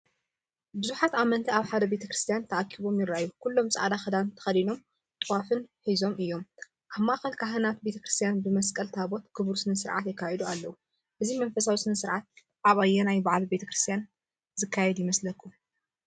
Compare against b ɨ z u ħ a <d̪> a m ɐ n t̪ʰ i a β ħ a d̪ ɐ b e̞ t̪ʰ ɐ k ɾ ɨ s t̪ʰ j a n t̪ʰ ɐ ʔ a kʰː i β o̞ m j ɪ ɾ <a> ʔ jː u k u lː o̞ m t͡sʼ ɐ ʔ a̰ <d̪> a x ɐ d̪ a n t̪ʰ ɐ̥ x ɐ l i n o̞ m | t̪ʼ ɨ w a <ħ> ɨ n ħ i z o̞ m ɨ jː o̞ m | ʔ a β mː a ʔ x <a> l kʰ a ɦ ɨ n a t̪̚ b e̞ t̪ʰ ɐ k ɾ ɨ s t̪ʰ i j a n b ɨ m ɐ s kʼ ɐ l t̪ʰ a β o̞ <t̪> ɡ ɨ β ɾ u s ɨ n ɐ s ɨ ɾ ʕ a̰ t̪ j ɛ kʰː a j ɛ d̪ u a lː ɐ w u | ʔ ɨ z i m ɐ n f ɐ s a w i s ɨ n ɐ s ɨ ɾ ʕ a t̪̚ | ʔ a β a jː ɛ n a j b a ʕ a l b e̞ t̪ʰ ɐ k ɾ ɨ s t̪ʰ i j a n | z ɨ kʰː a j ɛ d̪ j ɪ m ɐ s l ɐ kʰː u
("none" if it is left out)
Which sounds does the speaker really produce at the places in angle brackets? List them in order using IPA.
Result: t̪, a, d̪, f, ɐ, t̪

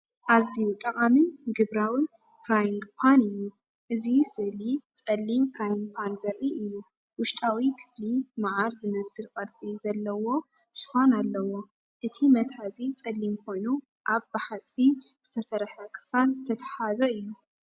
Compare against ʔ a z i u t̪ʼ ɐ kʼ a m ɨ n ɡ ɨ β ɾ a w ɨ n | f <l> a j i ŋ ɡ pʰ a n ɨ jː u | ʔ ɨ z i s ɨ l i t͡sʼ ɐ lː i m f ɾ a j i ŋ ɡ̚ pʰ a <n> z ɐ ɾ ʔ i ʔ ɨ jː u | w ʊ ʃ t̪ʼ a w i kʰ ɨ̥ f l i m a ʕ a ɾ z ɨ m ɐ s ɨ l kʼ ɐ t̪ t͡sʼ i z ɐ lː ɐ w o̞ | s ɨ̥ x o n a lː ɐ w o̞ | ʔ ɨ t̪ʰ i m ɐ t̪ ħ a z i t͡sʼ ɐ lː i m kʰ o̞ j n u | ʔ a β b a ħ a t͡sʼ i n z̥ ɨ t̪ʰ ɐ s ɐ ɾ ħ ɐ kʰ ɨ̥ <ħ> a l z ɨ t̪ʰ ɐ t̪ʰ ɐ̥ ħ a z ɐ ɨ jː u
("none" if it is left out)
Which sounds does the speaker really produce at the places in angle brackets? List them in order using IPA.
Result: ɾ, n, f

